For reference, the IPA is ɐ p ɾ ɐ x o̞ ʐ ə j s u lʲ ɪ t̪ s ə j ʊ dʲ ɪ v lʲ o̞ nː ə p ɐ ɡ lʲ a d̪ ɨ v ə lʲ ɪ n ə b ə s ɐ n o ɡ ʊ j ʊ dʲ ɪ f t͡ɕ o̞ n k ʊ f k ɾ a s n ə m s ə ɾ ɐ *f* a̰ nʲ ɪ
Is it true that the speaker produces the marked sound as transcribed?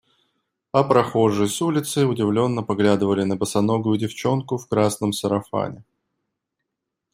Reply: yes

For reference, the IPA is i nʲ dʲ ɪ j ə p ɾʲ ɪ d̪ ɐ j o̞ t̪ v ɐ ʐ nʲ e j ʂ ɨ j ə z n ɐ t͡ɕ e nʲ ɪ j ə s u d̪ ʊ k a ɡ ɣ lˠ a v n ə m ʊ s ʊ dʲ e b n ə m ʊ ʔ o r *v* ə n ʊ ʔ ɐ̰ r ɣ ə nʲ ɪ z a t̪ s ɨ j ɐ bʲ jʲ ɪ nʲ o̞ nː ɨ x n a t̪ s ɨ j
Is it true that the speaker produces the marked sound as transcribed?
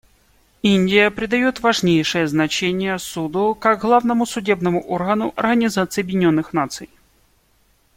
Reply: no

